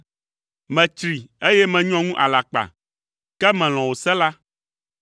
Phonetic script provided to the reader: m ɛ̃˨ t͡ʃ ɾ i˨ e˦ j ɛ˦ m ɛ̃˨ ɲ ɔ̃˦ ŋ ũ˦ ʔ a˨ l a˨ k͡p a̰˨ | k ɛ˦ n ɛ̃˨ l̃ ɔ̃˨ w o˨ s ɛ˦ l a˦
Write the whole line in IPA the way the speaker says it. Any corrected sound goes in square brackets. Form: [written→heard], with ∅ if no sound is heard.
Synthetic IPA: m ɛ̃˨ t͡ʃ ɾ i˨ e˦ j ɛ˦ m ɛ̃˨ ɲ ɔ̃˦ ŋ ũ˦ ʔ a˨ l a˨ k͡p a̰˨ | k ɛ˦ [n→m] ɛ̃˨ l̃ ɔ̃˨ w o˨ s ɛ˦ l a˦

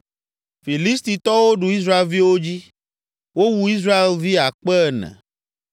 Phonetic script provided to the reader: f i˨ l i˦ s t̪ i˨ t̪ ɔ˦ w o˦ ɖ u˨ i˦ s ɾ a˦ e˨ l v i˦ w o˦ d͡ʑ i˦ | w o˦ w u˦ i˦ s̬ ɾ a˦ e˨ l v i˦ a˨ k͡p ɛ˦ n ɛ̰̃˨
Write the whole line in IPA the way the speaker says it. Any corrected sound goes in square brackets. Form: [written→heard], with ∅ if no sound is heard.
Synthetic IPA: f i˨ l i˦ s t̪ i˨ t̪ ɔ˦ w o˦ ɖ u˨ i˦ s ɾ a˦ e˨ l v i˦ w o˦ d͡ʑ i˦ | w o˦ w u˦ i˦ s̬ ɾ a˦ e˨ l v i˦ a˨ k͡p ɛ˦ n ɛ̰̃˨

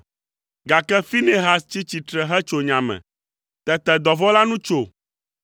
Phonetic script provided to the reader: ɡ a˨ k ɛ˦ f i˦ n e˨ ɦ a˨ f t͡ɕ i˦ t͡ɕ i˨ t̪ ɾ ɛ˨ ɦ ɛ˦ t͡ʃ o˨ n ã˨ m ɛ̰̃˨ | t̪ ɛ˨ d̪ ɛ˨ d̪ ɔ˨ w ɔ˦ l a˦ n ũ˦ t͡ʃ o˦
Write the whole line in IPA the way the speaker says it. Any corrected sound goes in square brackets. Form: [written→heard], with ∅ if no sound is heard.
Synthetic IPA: ɡ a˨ k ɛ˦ f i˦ n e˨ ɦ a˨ [f→s] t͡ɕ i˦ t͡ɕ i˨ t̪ ɾ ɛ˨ ɦ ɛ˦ t͡ʃ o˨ [n→ɲ] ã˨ m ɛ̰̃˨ | t̪ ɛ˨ [d̪→t̪] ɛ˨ d̪ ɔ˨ [w→v] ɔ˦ l a˦ n ũ˦ t͡ʃ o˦

